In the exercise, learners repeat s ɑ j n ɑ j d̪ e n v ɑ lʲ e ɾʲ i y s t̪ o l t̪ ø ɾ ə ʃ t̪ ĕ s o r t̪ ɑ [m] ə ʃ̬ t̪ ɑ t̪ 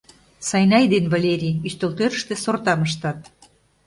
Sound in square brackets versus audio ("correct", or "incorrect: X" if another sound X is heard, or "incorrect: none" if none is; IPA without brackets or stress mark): correct